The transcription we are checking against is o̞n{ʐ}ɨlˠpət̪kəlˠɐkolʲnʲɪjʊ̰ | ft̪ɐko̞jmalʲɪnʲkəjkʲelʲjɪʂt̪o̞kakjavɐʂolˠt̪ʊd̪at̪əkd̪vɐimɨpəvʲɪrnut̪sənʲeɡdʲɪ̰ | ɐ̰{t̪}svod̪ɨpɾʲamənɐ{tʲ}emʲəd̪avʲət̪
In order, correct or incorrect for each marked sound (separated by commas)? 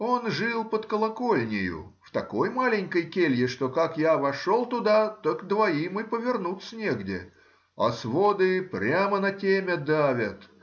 correct, incorrect, correct